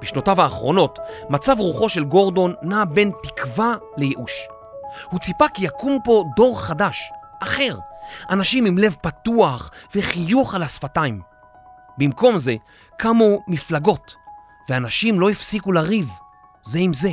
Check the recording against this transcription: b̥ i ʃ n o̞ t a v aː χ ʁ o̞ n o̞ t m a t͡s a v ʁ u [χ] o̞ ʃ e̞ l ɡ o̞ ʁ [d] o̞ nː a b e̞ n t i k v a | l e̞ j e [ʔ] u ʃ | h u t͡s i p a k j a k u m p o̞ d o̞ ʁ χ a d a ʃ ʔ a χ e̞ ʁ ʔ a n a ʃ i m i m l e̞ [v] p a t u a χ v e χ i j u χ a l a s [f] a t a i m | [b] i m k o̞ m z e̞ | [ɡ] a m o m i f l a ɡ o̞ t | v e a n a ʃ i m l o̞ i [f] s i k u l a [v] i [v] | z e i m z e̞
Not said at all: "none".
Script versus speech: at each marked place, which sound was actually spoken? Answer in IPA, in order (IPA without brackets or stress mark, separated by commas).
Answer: χ, d, ʔ, v, f, b, k, f, ʁ, v